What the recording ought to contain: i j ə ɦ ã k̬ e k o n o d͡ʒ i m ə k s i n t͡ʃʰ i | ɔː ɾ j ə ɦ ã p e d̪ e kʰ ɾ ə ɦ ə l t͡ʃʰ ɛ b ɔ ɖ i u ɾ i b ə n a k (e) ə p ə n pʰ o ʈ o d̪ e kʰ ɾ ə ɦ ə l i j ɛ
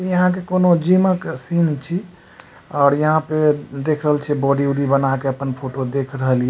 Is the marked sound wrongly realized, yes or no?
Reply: no